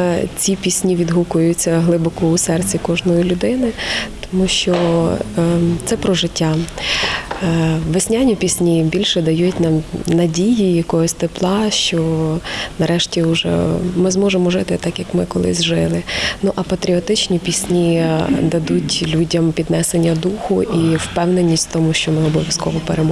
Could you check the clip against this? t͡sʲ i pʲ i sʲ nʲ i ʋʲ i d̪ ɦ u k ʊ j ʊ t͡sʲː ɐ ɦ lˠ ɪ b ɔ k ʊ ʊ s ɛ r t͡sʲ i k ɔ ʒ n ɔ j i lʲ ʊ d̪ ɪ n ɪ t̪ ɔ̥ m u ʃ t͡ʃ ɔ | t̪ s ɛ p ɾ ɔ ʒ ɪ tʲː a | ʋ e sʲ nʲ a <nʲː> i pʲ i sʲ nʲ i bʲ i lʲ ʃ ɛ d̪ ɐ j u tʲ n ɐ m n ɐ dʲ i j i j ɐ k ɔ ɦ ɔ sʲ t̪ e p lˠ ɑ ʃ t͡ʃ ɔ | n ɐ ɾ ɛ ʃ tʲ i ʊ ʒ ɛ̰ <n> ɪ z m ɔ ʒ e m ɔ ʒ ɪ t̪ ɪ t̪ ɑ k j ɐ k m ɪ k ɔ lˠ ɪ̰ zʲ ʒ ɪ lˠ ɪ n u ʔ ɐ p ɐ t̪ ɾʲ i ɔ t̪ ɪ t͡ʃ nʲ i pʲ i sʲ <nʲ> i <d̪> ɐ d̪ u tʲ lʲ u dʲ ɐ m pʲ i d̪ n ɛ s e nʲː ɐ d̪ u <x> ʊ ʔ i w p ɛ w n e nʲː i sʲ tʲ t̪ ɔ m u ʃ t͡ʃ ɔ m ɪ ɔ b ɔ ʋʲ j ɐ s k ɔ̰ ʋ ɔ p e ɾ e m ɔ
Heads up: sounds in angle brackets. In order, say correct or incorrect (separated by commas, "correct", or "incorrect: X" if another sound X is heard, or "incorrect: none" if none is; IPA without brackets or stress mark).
incorrect: nʲ, incorrect: m, correct, correct, correct